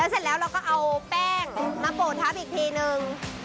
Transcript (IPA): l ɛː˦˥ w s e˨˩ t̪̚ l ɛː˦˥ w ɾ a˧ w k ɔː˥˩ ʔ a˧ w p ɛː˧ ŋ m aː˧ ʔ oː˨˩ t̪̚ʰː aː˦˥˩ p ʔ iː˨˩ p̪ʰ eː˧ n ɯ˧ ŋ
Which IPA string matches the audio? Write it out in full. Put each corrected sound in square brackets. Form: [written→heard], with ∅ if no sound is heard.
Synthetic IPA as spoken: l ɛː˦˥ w s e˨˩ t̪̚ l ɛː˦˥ w ɾ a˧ w k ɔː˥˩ ʔ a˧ w p [ɛː˧→ɛː˥˩] ŋ m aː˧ [ʔ→p] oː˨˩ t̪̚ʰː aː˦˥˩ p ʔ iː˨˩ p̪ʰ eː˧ n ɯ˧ ŋ